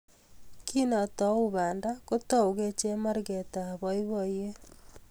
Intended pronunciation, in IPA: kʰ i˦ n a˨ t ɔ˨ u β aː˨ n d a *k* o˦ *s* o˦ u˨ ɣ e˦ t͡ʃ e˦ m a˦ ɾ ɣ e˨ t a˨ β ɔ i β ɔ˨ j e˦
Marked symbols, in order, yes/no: yes, no

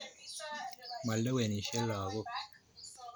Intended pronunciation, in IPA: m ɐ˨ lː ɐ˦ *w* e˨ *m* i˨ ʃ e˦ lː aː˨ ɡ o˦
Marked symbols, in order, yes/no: yes, no

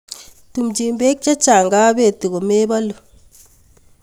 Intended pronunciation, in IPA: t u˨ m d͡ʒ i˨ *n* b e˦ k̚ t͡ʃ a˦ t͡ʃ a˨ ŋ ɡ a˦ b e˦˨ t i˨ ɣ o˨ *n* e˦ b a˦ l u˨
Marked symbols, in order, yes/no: no, no

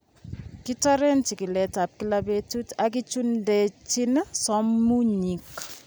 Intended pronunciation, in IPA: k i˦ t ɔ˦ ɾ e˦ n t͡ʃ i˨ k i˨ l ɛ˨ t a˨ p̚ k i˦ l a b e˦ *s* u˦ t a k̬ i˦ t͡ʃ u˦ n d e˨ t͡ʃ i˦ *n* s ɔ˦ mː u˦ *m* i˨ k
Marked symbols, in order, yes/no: no, yes, no

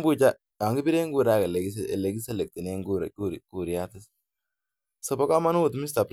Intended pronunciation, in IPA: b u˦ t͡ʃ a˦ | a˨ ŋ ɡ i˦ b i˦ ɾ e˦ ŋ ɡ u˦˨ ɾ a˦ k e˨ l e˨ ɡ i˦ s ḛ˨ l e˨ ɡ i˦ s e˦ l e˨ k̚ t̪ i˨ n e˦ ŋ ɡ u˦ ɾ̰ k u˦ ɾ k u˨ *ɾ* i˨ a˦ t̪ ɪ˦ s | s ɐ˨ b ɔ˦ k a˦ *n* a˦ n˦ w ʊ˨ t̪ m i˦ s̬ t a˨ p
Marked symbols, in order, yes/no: yes, no

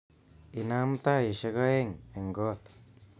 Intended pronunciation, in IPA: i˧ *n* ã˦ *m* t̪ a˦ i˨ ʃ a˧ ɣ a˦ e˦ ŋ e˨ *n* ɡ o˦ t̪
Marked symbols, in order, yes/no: yes, yes, no

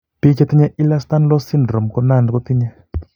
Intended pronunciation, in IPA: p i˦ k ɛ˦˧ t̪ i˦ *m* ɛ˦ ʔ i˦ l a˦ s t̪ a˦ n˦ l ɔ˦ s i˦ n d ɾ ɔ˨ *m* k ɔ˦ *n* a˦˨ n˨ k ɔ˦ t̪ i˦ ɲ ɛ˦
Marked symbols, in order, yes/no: no, yes, yes

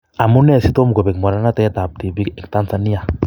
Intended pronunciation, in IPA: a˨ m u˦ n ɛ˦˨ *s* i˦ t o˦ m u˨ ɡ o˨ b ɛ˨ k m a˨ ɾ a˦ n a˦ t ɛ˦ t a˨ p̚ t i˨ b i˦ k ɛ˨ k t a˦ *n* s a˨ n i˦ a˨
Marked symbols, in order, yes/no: yes, yes

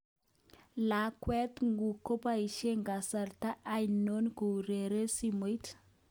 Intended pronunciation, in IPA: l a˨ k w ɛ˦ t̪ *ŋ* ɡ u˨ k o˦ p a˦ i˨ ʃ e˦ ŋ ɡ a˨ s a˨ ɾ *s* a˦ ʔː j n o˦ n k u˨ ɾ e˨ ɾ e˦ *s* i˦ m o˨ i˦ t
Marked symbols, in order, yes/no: yes, no, yes

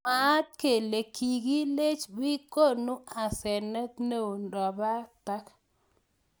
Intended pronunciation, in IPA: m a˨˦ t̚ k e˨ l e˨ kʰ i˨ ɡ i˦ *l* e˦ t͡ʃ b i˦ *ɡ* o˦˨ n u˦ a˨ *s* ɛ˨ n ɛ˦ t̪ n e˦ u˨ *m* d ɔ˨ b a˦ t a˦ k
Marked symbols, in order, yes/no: yes, no, yes, no

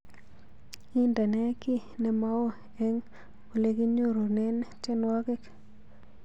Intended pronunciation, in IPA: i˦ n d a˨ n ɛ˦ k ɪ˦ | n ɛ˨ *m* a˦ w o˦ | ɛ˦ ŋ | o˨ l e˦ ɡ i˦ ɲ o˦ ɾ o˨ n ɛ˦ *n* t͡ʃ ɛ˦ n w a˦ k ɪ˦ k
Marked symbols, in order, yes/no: yes, yes

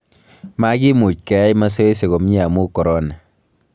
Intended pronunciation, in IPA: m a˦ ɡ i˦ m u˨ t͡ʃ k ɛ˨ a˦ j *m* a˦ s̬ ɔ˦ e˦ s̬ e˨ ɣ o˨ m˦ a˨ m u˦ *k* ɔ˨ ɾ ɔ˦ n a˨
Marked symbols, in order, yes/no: yes, yes

